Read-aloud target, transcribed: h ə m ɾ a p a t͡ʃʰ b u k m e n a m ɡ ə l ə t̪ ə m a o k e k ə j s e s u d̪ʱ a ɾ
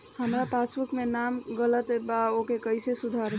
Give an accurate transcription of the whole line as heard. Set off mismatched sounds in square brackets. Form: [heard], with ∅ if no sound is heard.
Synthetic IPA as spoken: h ə m ɾ a p a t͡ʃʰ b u k m e n a m ɡ ə l ə t̪ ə [b] a o k e k ə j s e s u d̪ʱ a ɾ